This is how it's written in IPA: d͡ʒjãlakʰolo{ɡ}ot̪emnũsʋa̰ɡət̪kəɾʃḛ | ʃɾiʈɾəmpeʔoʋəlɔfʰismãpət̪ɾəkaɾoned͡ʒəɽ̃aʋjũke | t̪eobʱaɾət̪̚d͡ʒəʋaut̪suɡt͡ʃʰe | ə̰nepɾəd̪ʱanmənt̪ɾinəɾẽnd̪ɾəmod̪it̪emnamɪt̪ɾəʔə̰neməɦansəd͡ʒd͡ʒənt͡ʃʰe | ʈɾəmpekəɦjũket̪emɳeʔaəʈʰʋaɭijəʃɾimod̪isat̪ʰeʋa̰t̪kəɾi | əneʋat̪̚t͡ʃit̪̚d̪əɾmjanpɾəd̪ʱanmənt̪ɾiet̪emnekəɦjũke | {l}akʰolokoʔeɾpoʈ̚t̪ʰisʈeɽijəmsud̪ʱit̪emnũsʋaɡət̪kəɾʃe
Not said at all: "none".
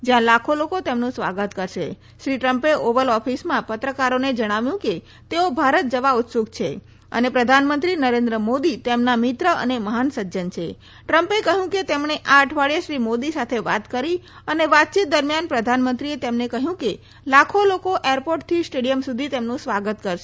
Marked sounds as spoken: k, l

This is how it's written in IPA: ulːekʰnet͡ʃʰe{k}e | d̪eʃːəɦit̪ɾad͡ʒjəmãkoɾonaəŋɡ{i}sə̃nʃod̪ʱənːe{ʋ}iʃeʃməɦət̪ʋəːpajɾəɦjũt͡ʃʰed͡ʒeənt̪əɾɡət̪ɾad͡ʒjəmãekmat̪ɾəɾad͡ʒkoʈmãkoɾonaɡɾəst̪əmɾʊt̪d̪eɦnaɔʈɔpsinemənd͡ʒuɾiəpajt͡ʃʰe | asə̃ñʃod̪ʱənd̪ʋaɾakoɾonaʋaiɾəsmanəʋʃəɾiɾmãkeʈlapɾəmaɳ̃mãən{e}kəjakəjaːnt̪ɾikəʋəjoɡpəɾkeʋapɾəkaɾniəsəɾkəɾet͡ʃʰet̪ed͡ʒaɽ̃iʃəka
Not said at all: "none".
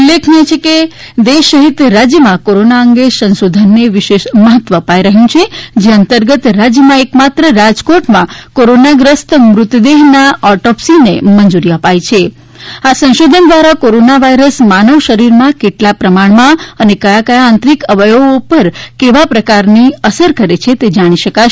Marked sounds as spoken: k, e, ʋ, e

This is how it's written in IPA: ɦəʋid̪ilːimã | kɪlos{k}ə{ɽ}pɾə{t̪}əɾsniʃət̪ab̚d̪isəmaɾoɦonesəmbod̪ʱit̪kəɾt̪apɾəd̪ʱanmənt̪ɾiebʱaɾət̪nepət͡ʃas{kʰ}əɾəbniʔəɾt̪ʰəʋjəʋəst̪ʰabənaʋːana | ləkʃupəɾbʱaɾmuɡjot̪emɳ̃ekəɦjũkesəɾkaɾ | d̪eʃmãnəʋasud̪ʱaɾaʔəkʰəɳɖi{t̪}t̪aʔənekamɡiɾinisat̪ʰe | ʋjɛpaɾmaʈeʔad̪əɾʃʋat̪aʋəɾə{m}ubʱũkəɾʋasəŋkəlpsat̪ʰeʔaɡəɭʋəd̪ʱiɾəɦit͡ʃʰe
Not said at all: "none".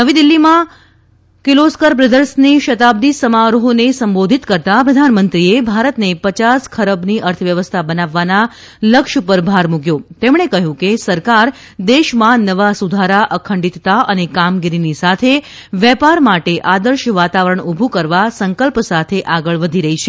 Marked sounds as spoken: k, ɾ, d̪, kʰ, t̪, ɳ

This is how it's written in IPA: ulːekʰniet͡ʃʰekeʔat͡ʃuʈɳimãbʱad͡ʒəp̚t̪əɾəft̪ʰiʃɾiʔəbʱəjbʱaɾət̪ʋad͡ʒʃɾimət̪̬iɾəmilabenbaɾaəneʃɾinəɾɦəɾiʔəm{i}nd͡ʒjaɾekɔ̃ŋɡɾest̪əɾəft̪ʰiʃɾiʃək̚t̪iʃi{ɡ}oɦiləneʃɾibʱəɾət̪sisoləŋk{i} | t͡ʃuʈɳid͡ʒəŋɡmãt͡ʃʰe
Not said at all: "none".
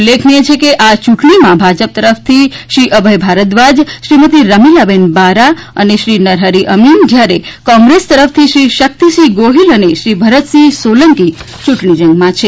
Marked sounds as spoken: i, ɡ, i

